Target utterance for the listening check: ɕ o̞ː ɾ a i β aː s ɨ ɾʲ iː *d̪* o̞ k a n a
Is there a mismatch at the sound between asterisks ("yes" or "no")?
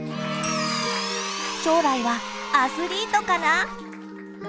yes